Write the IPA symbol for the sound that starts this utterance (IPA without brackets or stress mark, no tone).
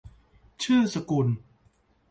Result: t͡ɕʰ